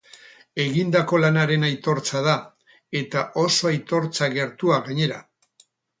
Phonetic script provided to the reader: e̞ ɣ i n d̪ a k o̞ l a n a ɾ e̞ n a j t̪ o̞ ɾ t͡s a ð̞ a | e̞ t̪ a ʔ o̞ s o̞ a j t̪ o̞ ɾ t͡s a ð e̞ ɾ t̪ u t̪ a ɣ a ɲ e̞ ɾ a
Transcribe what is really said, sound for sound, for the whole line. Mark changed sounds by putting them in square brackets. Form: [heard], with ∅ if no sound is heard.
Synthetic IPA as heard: e̞ ɣ i n d̪ a k o̞ l a n a ɾ e̞ n a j t̪ o̞ ɾ t͡s a ð̞ a | e̞ t̪ a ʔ o̞ s o̞ a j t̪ o̞ ɾ t͡s a [ɣ] e̞ ɾ t̪ u [∅] a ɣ a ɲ e̞ ɾ a

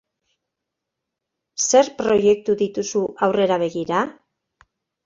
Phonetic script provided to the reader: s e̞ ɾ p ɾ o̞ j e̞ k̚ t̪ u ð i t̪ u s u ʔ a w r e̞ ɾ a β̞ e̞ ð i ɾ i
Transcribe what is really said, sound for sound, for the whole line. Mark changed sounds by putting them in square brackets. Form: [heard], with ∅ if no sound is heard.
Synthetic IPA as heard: s e̞ ɾ p ɾ o̞ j e̞ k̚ t̪ u ð i t̪ u s u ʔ a w r e̞ ɾ a β̞ e̞ [ɣ] i ɾ [a]

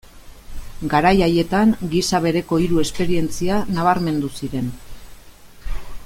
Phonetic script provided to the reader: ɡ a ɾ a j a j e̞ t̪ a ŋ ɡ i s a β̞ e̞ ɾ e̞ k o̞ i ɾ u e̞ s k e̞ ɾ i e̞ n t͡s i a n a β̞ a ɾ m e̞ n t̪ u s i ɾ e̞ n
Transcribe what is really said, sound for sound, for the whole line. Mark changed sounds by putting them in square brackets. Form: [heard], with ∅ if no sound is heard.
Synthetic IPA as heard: ɡ a ɾ a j a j e̞ t̪ a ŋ ɡ i s a β̞ e̞ ɾ e̞ k o̞ i ɾ u e̞ s [p] e̞ ɾ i e̞ n t͡s i a n a β̞ a ɾ m e̞ n [d̪] u s i ɾ e̞ n

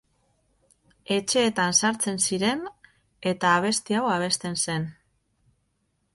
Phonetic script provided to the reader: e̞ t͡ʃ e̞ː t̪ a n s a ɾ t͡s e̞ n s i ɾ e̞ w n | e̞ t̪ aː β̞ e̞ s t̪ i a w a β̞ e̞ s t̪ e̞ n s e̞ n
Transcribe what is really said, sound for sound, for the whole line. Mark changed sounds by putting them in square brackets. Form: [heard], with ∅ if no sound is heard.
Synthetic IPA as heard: e̞ t͡ʃ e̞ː t̪ a n s a ɾ t͡s e̞ n s i ɾ e̞ [∅] n | e̞ t̪ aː β̞ e̞ s t̪ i a w a β̞ e̞ s t̪ e̞ n s e̞ n

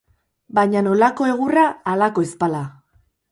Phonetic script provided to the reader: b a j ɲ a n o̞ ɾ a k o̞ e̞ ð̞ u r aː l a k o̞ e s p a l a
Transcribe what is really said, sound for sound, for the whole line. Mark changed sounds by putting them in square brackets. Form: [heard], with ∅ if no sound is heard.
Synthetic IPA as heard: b a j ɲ a n o̞ [l] a k o̞ e̞ [ɣ̞] u r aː l a k o̞ e s p a l a

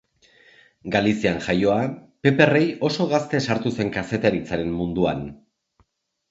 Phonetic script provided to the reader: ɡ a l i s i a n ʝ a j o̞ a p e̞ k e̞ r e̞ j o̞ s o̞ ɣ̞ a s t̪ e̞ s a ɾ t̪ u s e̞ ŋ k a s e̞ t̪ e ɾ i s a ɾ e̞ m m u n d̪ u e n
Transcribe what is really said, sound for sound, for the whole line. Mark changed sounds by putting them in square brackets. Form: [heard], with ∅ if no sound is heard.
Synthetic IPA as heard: ɡ a l i s i a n ʝ a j o̞ a p e̞ [p] e̞ r e̞ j o̞ s o̞ ɣ̞ a s t̪ e̞ s a ɾ t̪ u s e̞ ŋ k a s e̞ t̪ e ɾ i [t͡s] a ɾ e̞ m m u n d̪ u [a] n

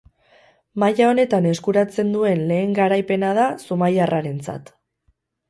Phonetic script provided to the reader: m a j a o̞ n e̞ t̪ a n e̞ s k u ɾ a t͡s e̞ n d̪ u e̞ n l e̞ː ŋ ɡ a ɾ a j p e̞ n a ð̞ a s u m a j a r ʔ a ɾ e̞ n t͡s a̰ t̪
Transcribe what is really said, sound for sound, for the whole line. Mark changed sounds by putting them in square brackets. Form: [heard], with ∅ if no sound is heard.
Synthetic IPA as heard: m a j a o̞ n e̞ t̪ a n e̞ s k u ɾ a t͡s e̞ n d̪ u e̞ n l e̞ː ŋ ɡ a ɾ a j p e̞ n a ð̞ a s u m a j a r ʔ a ɾ e̞ n t͡s a̰ t̪

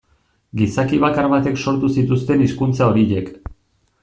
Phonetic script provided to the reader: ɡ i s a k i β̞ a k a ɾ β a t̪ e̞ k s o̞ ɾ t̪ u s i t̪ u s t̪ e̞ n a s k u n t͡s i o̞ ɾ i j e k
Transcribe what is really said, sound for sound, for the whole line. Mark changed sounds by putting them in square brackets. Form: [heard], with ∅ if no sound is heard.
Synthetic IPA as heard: ɡ i s a k i β̞ a k a ɾ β a t̪ e̞ k s o̞ ɾ t̪ u s i t̪ u s t̪ e̞ n [i] s k u n t͡s [a] o̞ ɾ i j e k

